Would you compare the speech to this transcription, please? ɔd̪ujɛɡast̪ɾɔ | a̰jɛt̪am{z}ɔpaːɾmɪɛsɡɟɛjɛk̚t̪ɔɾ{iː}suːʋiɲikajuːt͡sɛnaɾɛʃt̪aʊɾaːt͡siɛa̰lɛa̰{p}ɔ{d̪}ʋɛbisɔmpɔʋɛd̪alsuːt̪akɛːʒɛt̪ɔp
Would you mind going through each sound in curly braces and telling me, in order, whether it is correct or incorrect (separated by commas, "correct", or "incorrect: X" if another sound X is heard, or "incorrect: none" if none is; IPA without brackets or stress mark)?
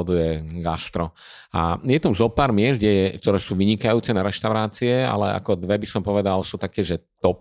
correct, incorrect: ɛː, incorrect: k, correct